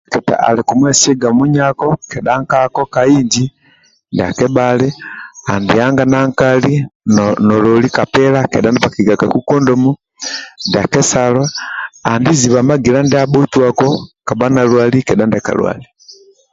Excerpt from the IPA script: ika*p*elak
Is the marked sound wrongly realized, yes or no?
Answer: no